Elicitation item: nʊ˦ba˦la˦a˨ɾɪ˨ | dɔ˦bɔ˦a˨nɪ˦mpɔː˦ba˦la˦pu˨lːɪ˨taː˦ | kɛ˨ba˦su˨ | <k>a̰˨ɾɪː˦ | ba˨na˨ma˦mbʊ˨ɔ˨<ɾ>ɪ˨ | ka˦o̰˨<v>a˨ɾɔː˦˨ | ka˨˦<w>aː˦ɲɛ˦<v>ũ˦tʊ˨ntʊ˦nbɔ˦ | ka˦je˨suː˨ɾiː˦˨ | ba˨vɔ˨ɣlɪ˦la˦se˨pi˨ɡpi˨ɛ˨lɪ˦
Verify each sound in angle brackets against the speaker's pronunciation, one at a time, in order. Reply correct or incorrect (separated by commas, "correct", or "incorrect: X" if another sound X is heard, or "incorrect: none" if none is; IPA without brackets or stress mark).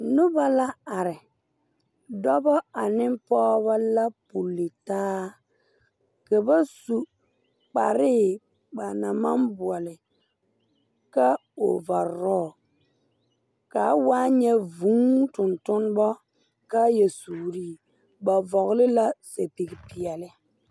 incorrect: k͡p, incorrect: l, correct, correct, correct